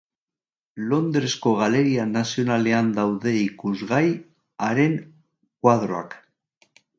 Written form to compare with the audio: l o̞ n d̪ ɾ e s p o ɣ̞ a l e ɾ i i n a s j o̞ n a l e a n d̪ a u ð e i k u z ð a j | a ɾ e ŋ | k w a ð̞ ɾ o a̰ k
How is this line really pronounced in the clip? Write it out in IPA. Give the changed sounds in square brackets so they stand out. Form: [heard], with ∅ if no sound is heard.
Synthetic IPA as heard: l o̞ n d̪ ɾ e s [k] o ɣ̞ a l e ɾ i [a] n a s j o̞ n a l e a n d̪ a [w] ð e i k u z [ɣ] a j | a ɾ e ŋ | k w a ð̞ ɾ o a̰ k